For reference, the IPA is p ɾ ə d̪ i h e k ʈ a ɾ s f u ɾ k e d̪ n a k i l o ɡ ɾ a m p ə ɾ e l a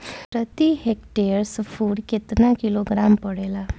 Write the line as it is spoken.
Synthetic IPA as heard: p ɾ ə t̪ i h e k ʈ e ɾ s f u ɽ k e t̪ n a k i l o ɡ ɾ a m p ə ɽ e l a

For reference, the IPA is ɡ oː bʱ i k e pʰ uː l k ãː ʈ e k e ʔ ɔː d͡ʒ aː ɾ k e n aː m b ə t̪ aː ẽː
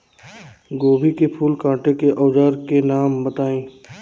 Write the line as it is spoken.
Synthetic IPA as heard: ɡ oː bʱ i k e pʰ uː l k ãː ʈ e k e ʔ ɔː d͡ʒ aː ɾ k e n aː m b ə t̪ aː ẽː

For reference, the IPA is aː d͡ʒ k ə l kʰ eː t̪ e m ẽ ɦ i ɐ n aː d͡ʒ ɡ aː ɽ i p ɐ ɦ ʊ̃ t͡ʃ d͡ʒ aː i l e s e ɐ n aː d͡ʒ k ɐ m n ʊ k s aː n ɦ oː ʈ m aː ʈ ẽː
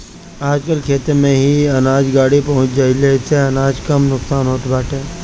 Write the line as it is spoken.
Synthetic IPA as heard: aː d͡ʒ k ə l kʰ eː t̪ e m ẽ ɦ i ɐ n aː d͡ʒ ɡ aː ɽ i p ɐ ɦ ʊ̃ t͡ʃ d͡ʒ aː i l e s e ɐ n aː d͡ʒ k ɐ m n ʊ k s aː n ɦ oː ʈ b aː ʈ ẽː

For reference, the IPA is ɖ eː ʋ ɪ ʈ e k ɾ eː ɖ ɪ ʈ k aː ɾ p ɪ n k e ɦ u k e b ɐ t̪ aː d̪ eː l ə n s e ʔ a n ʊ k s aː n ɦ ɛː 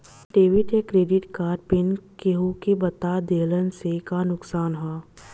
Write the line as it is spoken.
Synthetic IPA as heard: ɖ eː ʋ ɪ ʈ e k ɾ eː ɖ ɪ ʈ k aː ɾ p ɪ n k e ɦ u k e b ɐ t̪ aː d̪ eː l ə n s e k a n ʊ k s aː n ɦ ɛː

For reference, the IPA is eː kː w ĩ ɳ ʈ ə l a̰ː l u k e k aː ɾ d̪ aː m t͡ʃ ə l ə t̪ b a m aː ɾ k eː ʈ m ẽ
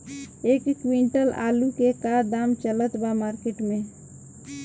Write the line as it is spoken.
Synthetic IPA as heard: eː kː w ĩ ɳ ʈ ə l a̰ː l u k e k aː ɾ d̪ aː m t͡ʃ ə l ə t̪ b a m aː ɾ k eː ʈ m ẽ

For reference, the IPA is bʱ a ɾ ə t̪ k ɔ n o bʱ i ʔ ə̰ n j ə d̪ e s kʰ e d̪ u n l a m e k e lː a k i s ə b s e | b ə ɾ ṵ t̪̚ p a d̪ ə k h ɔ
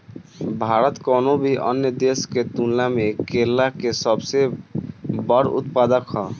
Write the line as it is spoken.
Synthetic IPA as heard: bʱ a ɾ ə t̪ k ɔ n o bʱ i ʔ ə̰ n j ə d̪ e s k e t̪ u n l a m e k e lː a k e s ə b s e | b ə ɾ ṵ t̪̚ p a d̪ ə k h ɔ

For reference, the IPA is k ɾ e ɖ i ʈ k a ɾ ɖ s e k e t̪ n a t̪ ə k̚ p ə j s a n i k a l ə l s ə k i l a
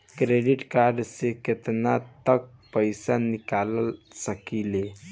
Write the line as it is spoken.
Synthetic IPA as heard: k ɾ e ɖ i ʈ k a ɾ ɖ s e k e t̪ n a t̪ ə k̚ p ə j s a n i k a l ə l s ə k i l e

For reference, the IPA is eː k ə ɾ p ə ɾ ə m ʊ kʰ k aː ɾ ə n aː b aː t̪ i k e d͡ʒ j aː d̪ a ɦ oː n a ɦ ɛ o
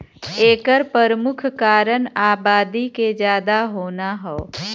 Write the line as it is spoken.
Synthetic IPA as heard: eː k ə ɾ p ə ɾ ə m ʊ kʰ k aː ɾ ə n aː b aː d̪ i k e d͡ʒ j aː d̪ a ɦ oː n a ɦ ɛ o

